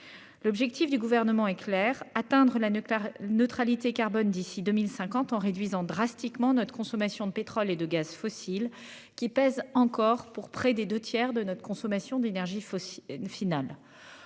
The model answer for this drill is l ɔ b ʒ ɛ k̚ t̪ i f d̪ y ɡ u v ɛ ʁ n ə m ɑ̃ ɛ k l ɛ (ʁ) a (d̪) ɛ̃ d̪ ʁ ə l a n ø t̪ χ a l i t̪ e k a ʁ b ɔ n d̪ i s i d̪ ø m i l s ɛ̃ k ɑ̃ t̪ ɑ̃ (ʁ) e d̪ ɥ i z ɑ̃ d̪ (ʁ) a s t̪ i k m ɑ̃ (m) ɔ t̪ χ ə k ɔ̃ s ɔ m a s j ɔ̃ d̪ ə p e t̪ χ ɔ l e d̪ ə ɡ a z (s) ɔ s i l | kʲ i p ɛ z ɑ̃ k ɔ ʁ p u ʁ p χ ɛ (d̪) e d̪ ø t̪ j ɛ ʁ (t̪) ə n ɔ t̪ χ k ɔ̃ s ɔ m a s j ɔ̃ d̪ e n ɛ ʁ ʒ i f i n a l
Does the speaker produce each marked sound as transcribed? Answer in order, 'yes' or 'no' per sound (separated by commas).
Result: yes, no, yes, yes, no, no, yes, no